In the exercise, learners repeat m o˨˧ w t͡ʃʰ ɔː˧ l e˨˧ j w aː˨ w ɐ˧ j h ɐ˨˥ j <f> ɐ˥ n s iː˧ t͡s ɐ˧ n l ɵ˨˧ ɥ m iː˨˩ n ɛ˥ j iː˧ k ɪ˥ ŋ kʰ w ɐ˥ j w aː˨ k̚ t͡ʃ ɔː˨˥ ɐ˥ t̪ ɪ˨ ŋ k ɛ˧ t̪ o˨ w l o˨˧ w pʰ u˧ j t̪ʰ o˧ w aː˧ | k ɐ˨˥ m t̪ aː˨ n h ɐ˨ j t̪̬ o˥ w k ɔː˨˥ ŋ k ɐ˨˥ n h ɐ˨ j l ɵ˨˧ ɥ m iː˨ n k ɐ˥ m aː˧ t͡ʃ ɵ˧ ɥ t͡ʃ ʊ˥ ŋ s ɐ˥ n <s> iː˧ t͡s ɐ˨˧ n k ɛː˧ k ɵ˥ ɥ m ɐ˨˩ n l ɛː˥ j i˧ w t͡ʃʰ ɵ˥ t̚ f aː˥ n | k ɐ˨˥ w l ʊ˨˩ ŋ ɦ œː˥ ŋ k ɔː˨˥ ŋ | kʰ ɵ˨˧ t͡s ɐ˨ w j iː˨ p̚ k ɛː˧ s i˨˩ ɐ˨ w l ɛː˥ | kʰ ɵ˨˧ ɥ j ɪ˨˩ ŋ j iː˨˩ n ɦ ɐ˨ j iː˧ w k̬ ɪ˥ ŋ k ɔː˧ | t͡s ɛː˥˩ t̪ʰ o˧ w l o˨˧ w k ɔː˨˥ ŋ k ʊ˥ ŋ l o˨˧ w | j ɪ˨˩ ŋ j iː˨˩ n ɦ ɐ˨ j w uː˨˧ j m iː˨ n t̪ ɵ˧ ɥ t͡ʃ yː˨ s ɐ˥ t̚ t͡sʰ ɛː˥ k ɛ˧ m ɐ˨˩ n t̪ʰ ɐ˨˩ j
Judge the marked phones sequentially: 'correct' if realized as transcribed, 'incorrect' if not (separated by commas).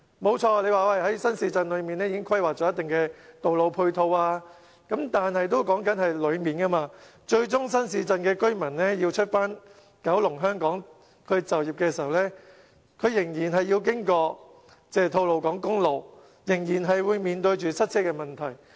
incorrect, correct